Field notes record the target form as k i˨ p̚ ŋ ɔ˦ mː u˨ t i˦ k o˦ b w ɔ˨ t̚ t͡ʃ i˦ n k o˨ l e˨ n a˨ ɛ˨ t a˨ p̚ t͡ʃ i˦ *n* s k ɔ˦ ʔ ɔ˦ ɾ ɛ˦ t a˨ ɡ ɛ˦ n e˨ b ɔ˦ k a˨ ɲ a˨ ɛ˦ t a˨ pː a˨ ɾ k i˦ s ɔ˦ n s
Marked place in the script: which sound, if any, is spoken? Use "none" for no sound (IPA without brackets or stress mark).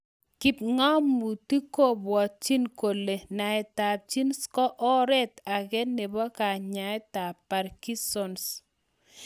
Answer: n